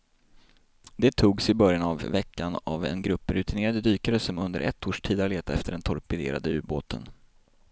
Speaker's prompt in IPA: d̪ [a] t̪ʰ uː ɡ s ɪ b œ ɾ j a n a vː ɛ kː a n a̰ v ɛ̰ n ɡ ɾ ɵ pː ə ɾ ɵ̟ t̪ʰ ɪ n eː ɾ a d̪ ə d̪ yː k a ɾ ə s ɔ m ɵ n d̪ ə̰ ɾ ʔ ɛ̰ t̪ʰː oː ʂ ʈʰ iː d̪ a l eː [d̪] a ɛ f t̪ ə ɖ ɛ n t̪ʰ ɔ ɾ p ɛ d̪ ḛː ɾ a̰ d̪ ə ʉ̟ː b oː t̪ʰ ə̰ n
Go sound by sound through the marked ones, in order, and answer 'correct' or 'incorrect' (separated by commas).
incorrect, incorrect